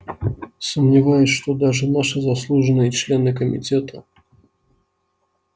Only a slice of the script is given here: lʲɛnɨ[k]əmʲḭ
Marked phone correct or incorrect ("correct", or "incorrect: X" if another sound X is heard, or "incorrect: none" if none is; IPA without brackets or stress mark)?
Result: correct